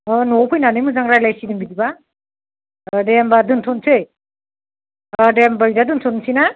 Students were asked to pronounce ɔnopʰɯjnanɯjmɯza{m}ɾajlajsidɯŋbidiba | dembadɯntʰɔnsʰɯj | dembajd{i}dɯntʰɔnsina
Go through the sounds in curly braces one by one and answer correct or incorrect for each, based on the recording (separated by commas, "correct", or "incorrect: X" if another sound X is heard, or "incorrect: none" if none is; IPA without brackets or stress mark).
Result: incorrect: ŋ, incorrect: a